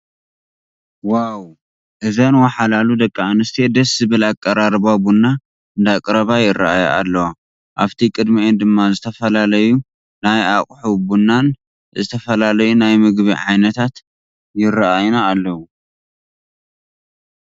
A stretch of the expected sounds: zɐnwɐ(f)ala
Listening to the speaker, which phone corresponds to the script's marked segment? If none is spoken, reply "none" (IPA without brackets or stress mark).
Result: ħ